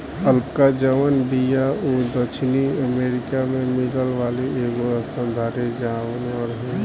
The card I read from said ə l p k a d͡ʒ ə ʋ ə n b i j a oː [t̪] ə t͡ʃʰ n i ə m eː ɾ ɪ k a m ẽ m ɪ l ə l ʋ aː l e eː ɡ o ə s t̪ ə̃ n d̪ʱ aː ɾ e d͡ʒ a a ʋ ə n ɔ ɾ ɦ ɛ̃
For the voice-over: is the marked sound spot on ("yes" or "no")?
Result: no